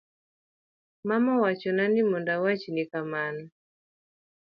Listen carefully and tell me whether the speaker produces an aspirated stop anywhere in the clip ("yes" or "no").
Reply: no